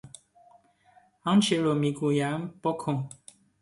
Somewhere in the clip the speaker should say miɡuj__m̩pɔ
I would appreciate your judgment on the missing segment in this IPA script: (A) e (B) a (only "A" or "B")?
B